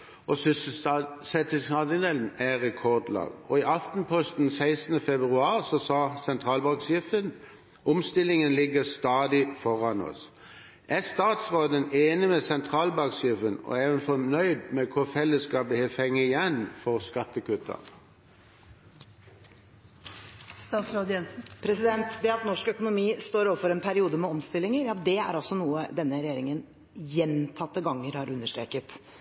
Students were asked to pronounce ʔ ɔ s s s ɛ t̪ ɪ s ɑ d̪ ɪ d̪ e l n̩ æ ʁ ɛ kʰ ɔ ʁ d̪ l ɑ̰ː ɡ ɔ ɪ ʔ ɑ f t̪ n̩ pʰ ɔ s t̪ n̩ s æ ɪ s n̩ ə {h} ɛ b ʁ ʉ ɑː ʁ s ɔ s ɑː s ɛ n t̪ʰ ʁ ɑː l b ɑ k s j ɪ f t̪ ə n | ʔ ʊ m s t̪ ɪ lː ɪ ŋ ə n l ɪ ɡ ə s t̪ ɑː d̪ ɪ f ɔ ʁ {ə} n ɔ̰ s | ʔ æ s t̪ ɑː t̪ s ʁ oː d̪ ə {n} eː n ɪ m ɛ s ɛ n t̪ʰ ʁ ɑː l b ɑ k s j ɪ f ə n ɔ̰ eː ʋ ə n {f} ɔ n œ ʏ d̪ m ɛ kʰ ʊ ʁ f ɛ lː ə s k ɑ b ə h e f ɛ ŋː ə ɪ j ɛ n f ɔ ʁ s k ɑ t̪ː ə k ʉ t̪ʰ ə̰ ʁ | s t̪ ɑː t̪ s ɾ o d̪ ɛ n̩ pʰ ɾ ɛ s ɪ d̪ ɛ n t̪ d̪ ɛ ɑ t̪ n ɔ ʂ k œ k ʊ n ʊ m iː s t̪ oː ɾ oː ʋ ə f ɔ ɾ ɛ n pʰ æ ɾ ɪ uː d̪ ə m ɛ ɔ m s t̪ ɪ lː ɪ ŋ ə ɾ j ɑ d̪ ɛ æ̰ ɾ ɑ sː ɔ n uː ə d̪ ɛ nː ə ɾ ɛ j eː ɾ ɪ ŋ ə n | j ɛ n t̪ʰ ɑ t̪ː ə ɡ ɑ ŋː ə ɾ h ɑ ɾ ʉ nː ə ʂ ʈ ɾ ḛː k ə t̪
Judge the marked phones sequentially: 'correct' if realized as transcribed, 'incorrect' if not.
incorrect: f, incorrect: ɑ, correct, correct

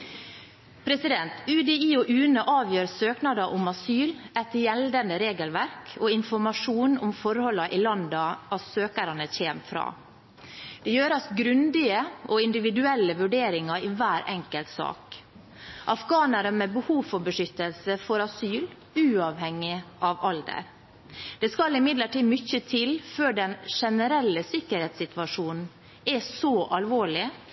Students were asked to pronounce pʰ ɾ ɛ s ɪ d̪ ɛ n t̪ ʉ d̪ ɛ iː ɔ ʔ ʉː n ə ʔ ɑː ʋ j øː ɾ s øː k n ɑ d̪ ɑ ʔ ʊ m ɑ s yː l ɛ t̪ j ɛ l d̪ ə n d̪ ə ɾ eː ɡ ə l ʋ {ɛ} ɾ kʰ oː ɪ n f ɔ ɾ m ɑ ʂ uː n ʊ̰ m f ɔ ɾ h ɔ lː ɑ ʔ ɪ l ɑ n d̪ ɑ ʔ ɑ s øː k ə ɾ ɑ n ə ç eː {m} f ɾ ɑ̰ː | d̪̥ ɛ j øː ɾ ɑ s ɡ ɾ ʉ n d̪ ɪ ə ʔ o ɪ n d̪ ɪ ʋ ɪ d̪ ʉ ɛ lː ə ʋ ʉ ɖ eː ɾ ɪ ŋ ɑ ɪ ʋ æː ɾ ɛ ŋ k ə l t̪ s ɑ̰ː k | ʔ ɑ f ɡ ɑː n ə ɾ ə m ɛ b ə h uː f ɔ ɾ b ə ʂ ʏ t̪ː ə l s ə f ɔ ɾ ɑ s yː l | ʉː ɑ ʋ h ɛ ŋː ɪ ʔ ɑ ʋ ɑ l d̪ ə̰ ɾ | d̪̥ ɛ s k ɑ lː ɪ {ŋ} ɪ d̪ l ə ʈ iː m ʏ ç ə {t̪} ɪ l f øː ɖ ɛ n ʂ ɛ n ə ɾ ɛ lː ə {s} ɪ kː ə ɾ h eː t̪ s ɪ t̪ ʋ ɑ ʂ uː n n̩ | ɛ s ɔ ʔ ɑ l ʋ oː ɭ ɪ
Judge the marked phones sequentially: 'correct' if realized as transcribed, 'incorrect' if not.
incorrect: æ, correct, incorrect: m, incorrect: t̪ʰ, correct

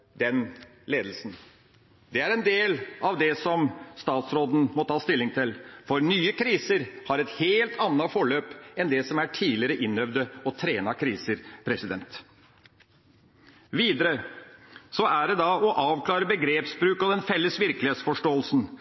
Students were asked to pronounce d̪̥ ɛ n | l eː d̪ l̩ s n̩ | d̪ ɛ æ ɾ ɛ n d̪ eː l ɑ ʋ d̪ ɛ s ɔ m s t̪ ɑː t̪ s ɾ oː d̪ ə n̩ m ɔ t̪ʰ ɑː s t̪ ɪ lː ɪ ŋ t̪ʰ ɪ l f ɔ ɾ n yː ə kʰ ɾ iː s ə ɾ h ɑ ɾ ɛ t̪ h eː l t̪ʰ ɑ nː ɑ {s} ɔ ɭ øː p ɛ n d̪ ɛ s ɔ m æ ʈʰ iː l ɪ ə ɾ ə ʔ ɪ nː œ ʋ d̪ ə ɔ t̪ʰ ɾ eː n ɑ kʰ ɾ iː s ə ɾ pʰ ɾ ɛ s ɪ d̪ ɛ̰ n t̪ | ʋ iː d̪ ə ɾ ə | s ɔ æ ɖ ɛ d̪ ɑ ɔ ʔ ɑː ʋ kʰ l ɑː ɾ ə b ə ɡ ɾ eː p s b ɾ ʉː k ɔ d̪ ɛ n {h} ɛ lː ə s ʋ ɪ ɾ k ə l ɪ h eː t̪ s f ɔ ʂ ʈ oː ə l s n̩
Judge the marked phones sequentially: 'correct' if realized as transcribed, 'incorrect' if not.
incorrect: f, incorrect: f

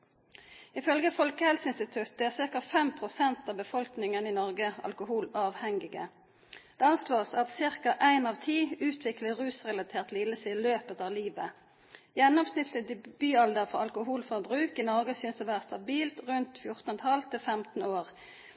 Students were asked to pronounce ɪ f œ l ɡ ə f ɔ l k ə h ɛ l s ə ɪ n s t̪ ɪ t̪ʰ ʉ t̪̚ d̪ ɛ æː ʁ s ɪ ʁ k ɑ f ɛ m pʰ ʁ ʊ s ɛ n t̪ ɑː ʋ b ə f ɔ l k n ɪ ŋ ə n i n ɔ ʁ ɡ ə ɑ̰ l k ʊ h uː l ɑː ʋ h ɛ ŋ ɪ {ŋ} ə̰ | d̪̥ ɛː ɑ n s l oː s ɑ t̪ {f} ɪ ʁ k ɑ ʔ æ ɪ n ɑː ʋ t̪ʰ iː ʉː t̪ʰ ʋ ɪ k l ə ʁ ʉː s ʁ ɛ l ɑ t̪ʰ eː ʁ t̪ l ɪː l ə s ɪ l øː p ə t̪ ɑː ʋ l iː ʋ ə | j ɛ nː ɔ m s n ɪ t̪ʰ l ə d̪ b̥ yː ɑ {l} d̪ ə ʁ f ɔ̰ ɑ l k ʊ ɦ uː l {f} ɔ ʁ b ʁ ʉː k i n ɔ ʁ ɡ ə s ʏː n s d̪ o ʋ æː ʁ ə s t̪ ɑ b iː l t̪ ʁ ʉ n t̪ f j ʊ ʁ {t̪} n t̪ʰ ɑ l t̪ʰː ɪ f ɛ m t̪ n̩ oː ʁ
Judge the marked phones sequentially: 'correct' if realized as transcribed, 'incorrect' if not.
incorrect: ɡ, incorrect: s, correct, correct, correct

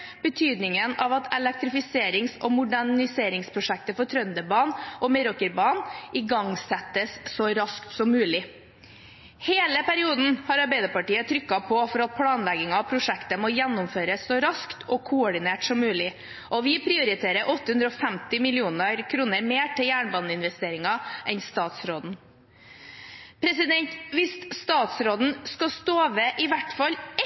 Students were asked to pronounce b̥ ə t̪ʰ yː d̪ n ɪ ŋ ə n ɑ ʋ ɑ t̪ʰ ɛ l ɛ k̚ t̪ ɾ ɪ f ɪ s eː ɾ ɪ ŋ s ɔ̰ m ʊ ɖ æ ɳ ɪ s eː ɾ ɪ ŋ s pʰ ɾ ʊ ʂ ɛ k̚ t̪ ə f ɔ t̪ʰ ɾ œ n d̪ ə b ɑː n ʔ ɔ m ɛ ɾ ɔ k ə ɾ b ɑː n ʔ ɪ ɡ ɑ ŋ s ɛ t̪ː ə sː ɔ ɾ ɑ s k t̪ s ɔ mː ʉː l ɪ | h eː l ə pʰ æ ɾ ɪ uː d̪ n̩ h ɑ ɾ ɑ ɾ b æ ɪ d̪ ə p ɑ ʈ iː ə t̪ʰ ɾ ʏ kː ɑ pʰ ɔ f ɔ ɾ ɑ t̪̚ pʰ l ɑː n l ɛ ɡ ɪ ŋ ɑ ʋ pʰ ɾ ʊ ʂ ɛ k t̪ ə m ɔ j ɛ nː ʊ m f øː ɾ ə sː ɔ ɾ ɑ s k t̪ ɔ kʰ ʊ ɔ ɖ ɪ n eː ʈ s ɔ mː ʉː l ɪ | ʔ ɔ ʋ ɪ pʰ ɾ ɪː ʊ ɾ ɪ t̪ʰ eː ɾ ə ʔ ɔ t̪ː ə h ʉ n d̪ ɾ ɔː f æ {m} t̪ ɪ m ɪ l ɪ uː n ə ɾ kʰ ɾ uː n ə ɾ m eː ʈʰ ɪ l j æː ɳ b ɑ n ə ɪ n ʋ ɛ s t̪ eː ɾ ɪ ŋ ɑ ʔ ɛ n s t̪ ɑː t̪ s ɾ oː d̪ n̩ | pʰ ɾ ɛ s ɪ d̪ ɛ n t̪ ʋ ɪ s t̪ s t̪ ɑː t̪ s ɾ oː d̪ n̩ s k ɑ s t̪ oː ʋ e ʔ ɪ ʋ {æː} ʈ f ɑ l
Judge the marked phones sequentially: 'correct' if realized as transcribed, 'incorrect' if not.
correct, incorrect: æ

